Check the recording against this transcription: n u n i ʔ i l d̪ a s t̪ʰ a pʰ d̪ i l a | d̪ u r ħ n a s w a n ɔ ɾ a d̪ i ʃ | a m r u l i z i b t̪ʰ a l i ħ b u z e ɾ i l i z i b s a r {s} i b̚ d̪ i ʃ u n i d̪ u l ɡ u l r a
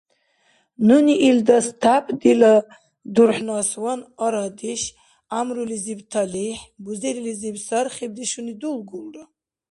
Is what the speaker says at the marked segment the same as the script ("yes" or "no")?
no